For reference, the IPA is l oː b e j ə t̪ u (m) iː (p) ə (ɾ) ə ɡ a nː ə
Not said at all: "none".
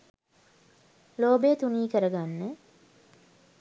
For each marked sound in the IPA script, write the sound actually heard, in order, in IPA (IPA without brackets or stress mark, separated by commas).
n, k, ɾ